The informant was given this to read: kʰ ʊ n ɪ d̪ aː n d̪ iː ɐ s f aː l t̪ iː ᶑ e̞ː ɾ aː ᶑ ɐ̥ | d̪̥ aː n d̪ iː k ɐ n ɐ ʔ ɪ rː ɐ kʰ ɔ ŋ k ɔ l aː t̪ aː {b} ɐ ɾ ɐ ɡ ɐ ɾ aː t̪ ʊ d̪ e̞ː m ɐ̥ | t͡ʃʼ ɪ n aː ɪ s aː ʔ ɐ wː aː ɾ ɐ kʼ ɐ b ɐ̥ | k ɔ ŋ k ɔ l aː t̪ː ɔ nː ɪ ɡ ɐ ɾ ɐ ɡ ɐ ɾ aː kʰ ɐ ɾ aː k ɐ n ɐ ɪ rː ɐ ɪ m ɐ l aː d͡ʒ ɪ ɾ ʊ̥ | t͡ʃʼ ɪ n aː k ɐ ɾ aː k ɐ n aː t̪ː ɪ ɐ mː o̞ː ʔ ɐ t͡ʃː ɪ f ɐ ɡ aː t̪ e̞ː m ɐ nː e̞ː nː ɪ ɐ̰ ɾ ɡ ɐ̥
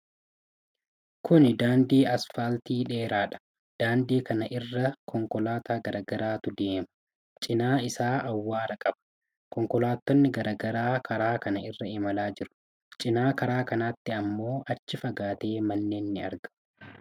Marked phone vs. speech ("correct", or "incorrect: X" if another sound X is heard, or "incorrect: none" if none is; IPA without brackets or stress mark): incorrect: ɡ